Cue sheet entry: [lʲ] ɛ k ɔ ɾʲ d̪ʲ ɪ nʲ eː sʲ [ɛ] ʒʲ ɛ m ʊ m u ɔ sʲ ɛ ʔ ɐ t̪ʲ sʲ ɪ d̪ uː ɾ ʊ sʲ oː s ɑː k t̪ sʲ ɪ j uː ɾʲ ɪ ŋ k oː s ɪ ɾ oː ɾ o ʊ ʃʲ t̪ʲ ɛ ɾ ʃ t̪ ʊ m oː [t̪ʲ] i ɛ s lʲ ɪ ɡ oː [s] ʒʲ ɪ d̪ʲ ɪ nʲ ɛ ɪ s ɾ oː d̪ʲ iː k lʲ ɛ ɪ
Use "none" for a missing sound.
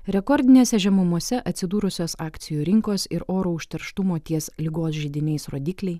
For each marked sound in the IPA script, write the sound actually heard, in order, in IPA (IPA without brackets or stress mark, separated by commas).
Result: ɾʲ, ɛ, t̪ʲ, s